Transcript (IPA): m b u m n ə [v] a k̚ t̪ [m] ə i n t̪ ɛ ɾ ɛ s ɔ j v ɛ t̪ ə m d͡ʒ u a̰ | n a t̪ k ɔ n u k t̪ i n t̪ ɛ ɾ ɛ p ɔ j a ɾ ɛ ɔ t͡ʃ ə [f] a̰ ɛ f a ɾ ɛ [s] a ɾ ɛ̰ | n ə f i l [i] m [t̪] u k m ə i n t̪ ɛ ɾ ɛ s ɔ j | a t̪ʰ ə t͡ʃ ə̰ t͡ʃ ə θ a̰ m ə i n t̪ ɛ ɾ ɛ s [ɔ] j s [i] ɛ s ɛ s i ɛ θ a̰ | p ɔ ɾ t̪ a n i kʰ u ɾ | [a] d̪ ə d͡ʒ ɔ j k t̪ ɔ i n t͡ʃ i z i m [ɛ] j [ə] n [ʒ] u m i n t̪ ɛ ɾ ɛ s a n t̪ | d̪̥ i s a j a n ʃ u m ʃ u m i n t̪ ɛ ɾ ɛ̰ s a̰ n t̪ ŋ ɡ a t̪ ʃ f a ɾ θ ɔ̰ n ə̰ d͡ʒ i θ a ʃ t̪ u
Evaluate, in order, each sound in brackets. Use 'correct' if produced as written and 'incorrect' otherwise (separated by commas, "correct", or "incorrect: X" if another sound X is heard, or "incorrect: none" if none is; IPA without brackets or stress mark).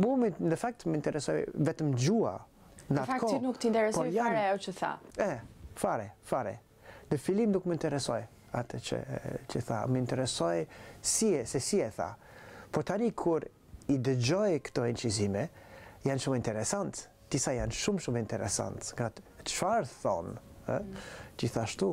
incorrect: f, correct, incorrect: θ, incorrect: f, correct, incorrect: d̪, correct, correct, incorrect: i, correct, incorrect: a, incorrect: ʃ